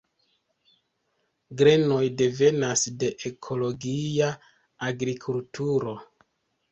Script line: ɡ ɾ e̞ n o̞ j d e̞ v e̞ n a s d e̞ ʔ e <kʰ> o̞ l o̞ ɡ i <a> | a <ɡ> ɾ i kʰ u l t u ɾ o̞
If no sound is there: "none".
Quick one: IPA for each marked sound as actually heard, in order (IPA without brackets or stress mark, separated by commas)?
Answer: kʰ, a, ɡ